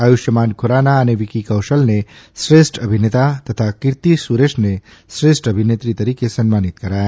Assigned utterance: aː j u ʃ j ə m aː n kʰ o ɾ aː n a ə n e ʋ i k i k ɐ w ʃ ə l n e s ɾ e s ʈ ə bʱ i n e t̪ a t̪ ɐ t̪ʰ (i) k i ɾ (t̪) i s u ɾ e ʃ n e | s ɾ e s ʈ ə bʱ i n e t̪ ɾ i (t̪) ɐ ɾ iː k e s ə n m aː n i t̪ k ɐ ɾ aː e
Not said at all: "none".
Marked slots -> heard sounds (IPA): a, t̪, t̪

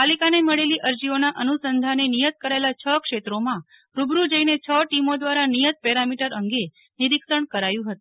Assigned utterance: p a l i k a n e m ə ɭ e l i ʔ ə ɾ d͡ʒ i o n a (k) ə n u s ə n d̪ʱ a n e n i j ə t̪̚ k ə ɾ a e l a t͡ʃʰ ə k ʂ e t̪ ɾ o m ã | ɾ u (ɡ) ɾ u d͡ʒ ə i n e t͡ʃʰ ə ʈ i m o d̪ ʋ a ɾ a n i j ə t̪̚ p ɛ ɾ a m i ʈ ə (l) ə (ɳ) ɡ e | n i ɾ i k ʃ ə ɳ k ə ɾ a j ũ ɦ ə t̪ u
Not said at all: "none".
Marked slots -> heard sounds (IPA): ʔ, b, ɾ, ŋ

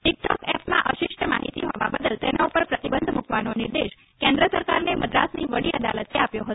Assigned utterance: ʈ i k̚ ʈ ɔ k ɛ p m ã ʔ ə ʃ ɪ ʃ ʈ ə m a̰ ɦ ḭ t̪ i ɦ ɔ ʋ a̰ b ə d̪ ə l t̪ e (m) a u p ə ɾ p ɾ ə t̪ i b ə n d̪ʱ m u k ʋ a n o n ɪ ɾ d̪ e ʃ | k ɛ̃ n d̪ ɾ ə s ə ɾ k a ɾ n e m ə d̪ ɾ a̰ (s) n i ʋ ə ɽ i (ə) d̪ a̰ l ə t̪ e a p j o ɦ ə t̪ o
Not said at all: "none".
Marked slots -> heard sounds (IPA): n, s, ə

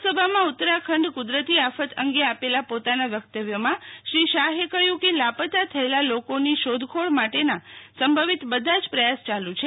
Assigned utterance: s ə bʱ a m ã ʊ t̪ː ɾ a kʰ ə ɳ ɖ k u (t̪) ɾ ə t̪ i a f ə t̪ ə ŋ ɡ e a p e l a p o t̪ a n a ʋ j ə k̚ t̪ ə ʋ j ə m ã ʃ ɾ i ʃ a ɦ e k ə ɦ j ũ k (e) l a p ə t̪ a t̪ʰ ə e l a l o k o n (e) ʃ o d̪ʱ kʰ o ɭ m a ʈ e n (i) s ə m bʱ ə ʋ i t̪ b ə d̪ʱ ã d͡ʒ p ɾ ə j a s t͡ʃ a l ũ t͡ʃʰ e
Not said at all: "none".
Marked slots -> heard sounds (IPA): d̪, e, i, a

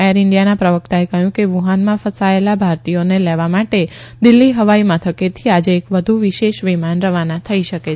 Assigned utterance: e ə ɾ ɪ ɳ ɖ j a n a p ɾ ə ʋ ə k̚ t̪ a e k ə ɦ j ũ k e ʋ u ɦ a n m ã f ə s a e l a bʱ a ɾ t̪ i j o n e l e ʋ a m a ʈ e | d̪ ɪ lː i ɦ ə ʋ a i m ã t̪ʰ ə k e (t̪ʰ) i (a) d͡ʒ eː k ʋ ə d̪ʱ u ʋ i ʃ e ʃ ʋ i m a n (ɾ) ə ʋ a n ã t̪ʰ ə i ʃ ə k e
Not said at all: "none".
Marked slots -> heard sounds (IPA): t̪ʰ, a, ɾ

